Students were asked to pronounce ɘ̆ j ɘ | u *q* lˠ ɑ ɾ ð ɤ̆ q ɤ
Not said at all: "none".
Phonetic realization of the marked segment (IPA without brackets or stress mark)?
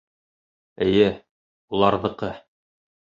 none